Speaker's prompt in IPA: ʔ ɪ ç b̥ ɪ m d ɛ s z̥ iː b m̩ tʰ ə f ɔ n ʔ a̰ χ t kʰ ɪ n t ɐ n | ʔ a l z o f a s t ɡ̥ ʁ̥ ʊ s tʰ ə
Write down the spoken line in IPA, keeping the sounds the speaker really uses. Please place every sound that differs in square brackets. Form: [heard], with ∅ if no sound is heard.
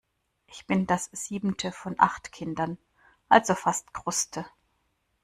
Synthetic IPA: ʔ ɪ ç b̥ ɪ [n] d [a] s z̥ iː b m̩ tʰ ə f ɔ n ʔ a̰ χ t kʰ ɪ n [d] ɐ n | ʔ a l z o f a s t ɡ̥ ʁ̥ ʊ s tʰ ə